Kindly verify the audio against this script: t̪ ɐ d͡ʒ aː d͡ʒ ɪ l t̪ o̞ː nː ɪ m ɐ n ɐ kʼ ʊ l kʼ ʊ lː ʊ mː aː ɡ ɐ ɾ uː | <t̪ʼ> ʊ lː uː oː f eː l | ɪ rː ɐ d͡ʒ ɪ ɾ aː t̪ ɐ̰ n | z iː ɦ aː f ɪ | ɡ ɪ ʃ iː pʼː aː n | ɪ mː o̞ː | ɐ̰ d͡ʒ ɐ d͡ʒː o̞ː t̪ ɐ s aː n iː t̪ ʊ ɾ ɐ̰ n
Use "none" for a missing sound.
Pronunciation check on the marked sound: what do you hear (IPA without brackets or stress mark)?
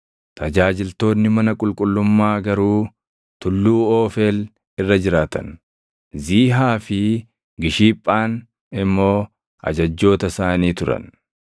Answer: t̪